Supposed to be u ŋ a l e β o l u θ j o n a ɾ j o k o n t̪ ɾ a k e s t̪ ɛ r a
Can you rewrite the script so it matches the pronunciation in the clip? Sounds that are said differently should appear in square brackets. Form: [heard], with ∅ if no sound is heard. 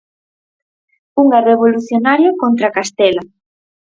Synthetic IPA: u ŋ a [r] e β o l u θ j o n a ɾ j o k o n t̪ ɾ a k [a] s t̪ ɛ [l] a